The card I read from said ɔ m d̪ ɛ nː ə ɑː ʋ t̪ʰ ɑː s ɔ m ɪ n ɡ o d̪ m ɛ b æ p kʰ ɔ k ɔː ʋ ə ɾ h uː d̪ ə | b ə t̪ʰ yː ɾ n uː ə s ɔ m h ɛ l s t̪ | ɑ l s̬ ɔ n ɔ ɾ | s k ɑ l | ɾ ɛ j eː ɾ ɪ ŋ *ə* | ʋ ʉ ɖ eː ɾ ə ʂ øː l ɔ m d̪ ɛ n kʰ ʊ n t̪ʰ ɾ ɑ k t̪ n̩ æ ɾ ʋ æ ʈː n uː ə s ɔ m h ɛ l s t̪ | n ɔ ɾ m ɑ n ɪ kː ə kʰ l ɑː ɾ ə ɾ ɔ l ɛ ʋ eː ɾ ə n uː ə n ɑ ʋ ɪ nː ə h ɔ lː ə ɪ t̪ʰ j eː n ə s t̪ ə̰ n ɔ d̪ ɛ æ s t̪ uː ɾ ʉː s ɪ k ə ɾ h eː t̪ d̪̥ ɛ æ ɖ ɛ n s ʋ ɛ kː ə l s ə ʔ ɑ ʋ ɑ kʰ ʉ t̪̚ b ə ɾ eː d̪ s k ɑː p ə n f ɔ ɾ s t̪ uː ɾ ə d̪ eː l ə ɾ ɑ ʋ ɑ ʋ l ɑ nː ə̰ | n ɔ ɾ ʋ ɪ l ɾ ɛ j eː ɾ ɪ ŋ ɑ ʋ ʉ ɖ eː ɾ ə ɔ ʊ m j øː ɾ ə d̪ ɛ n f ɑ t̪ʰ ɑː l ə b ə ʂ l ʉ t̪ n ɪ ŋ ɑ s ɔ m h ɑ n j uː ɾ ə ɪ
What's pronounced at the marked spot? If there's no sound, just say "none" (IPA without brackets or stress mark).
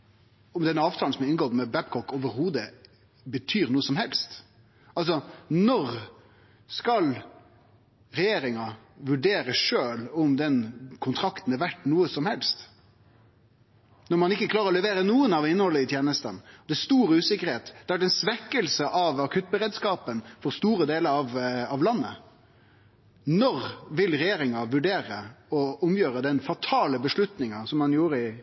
ɑ